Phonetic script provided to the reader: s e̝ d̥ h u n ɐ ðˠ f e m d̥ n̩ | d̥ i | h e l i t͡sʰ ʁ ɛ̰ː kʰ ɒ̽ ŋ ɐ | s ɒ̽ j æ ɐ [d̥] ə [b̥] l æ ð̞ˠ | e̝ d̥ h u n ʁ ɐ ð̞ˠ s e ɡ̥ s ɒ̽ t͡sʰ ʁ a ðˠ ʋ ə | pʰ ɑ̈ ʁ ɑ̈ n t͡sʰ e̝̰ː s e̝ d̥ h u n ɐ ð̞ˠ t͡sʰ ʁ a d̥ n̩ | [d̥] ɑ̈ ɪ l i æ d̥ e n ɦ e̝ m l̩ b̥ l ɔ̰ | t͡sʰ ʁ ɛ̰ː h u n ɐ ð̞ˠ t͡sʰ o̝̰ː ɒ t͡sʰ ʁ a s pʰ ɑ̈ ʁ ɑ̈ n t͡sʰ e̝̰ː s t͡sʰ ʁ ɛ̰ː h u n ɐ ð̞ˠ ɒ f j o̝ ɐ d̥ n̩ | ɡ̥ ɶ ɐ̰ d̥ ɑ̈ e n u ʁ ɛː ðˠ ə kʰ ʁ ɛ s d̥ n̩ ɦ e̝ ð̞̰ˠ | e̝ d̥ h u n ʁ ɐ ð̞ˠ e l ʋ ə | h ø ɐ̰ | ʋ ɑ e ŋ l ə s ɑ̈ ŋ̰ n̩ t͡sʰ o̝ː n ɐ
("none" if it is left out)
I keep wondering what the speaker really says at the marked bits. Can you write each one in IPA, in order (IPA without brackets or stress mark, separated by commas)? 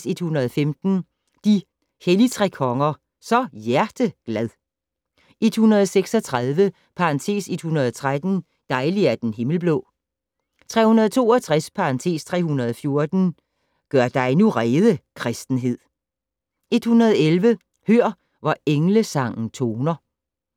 d̥, ɡ̥, d̥